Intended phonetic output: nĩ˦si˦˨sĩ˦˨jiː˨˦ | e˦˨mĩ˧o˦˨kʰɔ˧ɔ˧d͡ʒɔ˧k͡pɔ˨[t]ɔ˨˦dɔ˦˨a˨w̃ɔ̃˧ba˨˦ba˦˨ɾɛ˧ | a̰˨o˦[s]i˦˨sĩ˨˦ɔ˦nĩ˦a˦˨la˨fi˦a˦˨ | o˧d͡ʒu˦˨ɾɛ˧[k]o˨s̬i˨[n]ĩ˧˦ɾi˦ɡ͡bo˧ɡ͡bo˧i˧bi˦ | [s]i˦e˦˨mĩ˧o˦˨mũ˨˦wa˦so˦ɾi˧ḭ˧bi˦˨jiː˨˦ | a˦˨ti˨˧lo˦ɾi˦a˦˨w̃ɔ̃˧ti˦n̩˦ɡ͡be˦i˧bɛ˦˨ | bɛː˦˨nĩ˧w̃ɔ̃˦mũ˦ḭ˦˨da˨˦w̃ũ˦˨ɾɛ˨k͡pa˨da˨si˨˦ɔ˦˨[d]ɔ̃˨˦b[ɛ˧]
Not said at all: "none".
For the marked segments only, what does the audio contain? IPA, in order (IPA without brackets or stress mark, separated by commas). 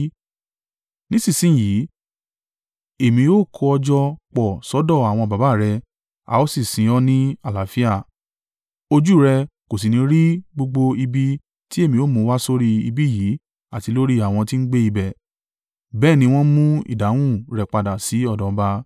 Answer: s, s, k, n, t, d, a˧